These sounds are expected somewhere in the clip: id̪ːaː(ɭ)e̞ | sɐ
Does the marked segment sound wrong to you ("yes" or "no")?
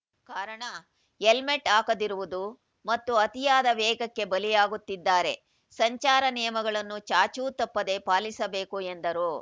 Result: yes